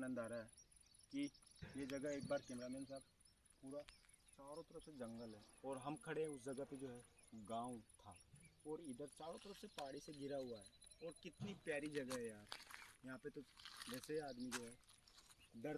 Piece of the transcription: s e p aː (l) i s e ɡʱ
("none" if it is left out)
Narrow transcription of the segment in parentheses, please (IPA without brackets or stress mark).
ɽ